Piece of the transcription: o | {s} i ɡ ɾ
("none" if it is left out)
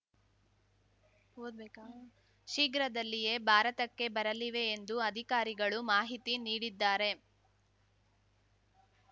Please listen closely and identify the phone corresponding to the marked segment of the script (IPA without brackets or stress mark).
ʃ